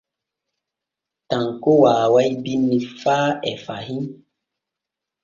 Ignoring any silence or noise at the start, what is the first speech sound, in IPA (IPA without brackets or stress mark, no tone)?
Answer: t